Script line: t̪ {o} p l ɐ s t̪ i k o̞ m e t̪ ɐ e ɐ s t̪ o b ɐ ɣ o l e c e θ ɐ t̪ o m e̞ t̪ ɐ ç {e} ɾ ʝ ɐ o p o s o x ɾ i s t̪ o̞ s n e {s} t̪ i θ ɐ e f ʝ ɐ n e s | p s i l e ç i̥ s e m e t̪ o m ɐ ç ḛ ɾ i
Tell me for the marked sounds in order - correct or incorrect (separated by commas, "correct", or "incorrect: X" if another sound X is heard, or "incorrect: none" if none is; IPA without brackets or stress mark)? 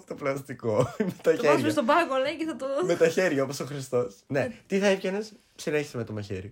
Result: correct, correct, incorrect: none